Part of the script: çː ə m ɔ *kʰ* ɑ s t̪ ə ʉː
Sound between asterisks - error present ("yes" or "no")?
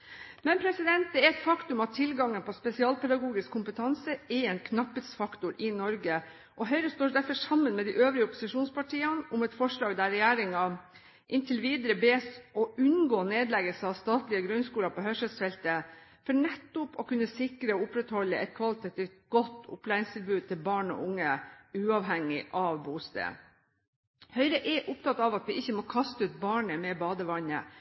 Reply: no